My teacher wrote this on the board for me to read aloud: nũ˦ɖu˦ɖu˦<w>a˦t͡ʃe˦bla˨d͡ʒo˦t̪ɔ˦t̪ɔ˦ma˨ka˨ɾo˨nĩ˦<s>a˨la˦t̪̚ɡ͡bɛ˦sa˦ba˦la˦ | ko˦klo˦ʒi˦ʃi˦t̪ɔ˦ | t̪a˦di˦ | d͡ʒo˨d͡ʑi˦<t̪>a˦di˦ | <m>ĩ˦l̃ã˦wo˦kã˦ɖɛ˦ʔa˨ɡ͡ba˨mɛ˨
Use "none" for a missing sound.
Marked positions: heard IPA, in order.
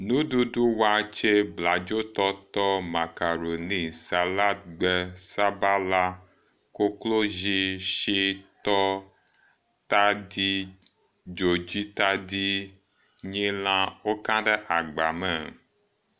w, s, t̪, ɲ

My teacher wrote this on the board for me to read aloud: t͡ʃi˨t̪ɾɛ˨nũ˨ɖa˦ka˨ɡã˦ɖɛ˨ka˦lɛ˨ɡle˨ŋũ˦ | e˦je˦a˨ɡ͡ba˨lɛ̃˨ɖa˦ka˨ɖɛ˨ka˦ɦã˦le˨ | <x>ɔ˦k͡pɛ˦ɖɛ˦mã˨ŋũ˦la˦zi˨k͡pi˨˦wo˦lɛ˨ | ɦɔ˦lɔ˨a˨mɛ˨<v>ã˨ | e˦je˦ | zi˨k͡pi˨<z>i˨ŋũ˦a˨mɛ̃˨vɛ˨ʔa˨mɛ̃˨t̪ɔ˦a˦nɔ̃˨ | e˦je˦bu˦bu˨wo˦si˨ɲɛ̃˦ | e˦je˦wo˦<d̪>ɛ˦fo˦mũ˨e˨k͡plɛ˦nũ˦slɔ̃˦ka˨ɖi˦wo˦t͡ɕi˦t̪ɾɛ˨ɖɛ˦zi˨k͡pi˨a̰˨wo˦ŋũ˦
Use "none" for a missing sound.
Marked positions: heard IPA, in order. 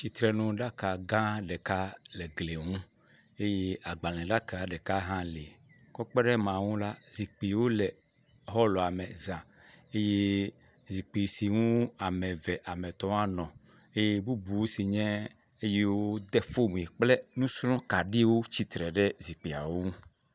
k, z, s, d̪

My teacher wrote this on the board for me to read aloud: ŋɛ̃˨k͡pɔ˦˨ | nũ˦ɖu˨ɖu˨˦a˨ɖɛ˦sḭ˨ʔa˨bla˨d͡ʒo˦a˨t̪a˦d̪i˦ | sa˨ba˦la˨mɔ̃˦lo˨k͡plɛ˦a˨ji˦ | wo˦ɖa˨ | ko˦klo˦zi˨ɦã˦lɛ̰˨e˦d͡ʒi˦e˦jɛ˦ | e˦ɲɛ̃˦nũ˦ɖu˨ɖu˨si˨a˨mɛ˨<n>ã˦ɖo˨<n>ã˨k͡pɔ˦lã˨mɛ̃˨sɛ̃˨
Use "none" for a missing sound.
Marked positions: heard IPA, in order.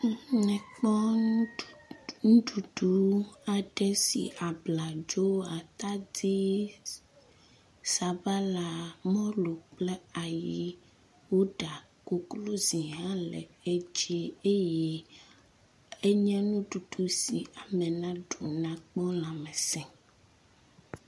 n, n

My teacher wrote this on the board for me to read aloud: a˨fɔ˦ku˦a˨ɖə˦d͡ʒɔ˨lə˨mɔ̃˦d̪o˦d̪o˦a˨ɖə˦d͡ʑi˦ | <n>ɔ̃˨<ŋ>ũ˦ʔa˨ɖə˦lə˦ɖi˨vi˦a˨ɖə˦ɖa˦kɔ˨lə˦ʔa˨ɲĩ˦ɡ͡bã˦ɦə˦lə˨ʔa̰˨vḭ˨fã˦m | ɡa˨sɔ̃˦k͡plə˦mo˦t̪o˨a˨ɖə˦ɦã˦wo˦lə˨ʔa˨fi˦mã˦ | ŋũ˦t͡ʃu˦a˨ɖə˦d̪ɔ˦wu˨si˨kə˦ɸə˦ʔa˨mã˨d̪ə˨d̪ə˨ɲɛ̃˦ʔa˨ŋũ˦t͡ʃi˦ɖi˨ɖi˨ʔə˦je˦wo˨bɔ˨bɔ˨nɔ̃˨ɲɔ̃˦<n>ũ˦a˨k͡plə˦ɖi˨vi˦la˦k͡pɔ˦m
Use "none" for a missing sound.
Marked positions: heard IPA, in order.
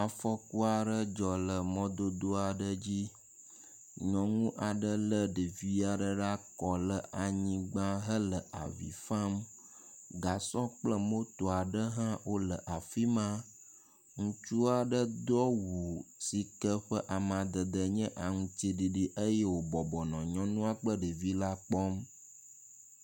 ɲ, ŋ, n

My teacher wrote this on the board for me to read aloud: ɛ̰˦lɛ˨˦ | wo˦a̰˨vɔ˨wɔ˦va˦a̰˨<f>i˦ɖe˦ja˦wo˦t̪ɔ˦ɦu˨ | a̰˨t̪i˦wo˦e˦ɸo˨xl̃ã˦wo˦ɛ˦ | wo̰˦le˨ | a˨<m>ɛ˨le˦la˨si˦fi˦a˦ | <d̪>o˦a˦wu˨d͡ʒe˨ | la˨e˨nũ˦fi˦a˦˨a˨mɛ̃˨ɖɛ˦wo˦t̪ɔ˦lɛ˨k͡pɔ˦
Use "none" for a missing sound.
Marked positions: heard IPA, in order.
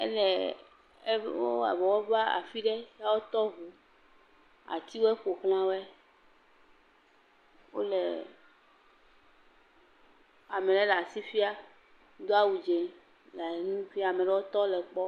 f, m, d̪

